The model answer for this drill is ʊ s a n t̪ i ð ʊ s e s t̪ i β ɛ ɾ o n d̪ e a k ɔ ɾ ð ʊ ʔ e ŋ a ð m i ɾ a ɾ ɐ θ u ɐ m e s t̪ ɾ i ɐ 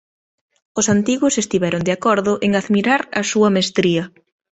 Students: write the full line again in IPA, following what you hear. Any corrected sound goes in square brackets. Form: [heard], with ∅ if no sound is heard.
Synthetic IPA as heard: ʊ s a n t̪ i [ɣ] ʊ s e s t̪ i β ɛ ɾ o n d̪ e a k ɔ ɾ ð ʊ ʔ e ŋ a ð m i ɾ a ɾ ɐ [s] u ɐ m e s t̪ ɾ i ɐ